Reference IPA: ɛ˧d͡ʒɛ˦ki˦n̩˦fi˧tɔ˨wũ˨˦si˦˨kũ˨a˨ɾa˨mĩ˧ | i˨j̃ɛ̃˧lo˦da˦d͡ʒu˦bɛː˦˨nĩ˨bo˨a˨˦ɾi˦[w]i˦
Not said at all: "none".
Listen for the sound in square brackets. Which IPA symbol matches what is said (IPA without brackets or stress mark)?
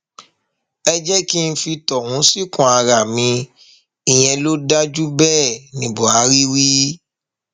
w